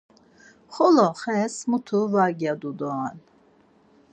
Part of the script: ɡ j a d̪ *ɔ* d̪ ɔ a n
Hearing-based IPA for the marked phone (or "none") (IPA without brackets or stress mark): u